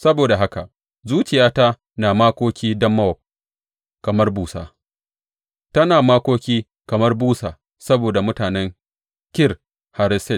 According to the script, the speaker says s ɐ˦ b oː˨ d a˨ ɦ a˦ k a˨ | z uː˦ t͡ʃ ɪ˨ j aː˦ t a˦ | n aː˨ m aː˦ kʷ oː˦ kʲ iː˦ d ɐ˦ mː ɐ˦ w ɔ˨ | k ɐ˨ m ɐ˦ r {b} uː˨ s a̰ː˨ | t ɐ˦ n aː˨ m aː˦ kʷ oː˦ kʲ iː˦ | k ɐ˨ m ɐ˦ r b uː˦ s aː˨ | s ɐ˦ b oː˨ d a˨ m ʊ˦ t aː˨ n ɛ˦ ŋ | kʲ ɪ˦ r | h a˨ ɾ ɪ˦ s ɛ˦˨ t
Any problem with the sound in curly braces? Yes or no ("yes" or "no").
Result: no